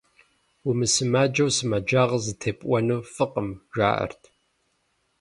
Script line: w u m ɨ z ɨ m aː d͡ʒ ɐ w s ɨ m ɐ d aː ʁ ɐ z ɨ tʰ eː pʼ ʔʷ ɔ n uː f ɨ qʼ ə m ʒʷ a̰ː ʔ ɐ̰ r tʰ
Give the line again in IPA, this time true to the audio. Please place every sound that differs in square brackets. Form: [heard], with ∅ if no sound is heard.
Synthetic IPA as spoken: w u m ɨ [s] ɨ m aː d͡ʒ ɐ w s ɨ m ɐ [d͡ʒ] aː ʁ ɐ z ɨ tʰ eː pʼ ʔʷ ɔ n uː f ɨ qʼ ə m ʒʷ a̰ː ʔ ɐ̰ r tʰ